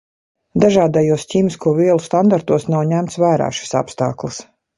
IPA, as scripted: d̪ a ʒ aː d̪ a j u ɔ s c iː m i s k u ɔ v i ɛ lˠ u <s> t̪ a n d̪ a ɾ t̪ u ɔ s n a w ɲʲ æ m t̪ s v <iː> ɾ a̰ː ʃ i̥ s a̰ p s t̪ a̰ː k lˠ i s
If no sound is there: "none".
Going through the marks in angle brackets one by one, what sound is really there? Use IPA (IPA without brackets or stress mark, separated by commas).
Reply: s, æː